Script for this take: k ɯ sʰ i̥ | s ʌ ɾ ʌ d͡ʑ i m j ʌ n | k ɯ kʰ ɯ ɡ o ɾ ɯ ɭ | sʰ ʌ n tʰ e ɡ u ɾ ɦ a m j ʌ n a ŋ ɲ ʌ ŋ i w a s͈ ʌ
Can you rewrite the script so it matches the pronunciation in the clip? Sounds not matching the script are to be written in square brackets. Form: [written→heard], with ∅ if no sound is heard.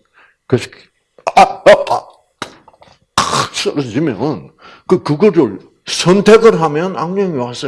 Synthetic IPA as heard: k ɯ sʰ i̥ | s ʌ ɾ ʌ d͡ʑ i m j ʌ n | k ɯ [kʰ→k] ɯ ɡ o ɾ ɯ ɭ | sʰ ʌ n tʰ e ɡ [u→ɯ] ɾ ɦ a m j ʌ n a ŋ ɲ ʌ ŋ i w a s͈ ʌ